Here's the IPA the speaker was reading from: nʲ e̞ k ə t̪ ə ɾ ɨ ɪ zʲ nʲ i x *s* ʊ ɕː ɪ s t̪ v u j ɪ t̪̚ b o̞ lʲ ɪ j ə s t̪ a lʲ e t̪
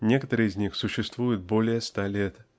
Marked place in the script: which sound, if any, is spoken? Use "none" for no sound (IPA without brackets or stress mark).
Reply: s